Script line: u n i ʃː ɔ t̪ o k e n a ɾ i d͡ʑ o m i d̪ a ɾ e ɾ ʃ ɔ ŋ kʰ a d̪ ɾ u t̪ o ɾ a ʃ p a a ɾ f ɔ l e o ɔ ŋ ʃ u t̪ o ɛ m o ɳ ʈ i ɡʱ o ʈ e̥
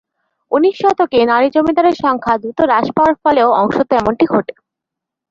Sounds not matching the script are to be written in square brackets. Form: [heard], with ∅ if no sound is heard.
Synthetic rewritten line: u n i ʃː ɔ t̪ o k e n a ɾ i d͡ʑ o m i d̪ a ɾ e ɾ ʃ ɔ ŋ kʰ a d̪ ɾ u t̪ o ɾ a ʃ p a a ɾ f ɔ l e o ɔ ŋ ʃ [o] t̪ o ɛ m o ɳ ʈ i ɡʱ o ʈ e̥